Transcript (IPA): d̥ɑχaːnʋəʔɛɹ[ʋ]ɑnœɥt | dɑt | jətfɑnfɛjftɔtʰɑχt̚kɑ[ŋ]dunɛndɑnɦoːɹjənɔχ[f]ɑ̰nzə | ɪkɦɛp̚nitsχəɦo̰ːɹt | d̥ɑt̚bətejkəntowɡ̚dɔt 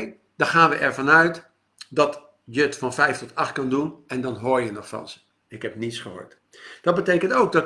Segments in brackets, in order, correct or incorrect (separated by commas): incorrect, incorrect, correct